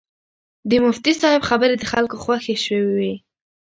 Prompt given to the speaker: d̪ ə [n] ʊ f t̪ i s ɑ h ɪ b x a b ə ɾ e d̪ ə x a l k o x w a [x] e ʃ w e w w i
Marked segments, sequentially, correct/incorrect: incorrect: m, correct

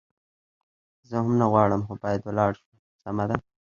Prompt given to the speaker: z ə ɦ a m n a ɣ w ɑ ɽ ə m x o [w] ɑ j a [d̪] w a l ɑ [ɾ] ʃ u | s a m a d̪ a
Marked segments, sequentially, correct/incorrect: incorrect: b, correct, incorrect: ɽ

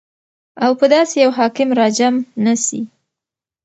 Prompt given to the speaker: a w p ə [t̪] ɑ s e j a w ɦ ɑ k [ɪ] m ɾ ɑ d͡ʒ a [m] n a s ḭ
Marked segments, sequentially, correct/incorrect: incorrect: d̪, correct, correct

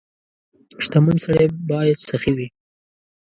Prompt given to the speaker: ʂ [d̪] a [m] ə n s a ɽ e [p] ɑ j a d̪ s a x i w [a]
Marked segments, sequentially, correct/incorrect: incorrect: t̪, correct, incorrect: b, incorrect: i

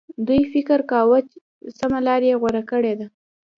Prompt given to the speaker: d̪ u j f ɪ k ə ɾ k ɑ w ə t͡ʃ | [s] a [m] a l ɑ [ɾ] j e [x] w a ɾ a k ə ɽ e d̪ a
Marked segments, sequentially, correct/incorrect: correct, correct, correct, incorrect: ɣ

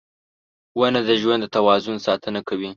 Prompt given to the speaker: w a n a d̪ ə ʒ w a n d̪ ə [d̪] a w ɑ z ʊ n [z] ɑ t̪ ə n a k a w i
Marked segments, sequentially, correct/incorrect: incorrect: t̪, incorrect: s

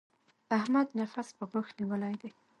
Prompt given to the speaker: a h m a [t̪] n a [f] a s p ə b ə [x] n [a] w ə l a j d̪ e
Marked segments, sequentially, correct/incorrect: incorrect: d̪, correct, correct, incorrect: i

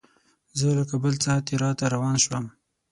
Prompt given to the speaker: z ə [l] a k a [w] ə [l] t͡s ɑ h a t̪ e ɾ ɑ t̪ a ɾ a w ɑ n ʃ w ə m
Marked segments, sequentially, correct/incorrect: correct, incorrect: b, correct

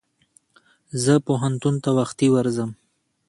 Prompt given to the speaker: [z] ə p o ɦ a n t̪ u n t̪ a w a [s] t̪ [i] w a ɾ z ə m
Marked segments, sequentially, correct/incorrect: correct, incorrect: x, correct

